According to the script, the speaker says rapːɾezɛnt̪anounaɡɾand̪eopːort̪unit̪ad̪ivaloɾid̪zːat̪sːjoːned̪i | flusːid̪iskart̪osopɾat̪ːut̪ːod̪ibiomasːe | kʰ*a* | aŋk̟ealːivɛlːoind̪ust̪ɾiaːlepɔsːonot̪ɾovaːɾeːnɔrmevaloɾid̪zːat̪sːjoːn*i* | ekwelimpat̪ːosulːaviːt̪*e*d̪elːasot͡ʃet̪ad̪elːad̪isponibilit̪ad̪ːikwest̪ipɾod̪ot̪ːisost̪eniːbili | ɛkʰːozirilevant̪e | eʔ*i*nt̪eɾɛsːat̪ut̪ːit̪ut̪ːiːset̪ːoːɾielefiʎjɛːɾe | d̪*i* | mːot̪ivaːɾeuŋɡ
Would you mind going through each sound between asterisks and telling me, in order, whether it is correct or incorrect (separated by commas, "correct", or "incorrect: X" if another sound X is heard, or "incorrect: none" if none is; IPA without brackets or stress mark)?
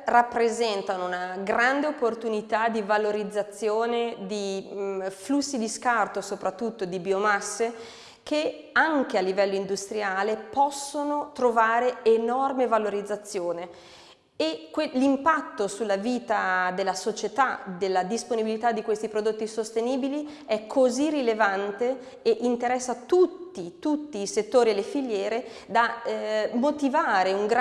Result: incorrect: e, incorrect: e, incorrect: a, correct, incorrect: a